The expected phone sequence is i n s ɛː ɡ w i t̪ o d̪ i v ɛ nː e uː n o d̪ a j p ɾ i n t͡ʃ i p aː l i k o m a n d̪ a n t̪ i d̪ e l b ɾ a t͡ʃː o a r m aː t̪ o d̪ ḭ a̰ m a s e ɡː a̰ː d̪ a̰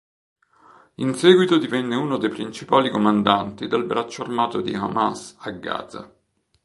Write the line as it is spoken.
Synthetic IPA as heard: i n s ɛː ɡ w i t̪ o d̪ i v ɛ nː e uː n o d̪ e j p ɾ i n t͡ʃ i p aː l i k o m a n d̪ a n t̪ i d̪ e l b ɾ a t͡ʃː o a r m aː t̪ o d̪ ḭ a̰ m a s a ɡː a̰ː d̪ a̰